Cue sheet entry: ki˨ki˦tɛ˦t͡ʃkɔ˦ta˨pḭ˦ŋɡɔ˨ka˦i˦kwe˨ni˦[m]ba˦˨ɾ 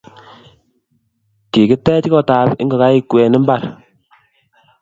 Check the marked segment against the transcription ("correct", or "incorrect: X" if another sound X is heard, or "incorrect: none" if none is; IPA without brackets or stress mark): correct